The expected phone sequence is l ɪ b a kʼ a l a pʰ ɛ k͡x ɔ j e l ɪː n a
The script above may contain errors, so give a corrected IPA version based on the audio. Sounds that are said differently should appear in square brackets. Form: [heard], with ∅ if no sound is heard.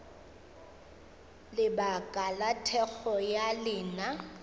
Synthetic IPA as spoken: l ɪ b a kʼ a l a [tʰ] ɛ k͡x ɔ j [a] l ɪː n a